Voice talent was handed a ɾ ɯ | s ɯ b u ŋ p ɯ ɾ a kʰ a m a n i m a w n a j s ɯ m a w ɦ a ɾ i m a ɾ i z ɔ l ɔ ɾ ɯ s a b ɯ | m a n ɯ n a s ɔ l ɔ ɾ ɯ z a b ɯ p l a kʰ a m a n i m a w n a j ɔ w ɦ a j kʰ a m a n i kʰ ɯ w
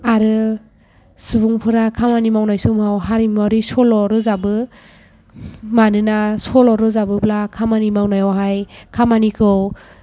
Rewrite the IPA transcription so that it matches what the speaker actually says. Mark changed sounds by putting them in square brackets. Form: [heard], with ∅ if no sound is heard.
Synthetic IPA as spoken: a ɾ ɯ | s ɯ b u ŋ [pʰ] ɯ ɾ a kʰ a m a n i m a w n a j s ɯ m a w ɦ a ɾ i m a ɾ i [s] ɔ l ɔ ɾ ɯ [z] a b ɯ | m a n ɯ n a s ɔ l ɔ ɾ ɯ z a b ɯ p l a kʰ a m a n i m a w n a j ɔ w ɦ a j kʰ a m a n i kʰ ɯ w